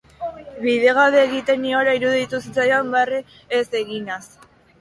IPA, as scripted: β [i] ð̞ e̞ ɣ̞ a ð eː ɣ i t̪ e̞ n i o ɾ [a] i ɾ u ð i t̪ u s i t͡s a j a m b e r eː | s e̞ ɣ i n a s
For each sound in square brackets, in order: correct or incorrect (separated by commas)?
correct, correct